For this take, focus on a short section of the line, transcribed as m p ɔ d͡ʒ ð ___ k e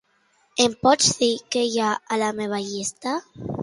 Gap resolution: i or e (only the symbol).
i